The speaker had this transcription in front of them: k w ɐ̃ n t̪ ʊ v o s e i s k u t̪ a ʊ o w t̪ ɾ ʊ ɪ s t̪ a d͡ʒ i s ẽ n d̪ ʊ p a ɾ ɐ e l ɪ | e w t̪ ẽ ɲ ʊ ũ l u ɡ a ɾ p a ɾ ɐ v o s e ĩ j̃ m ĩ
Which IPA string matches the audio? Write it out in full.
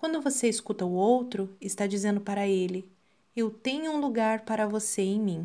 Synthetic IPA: k w ɐ̃ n d̪ ʊ v o s e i s k u t̪ ɐ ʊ o w t̪ ɾ ʊ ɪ s t̪ a d͡ʒ i z ẽ n d̪ ʊ p a ɾ ɐ e l ɪ | e w t̪ ẽ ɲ ʊ ũ l u ɡ a ɾ p a ɾ ɐ v o s e ẽ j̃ m ĩ